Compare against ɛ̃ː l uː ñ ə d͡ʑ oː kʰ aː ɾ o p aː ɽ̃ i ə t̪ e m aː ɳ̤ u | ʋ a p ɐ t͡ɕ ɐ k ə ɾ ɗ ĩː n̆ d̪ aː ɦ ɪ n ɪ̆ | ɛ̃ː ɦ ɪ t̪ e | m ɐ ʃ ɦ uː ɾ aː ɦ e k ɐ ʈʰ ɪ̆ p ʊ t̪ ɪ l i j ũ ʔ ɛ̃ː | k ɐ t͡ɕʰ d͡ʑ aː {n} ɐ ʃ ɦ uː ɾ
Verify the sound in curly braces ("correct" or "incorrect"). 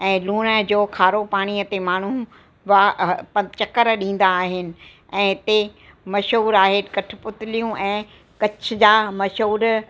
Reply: incorrect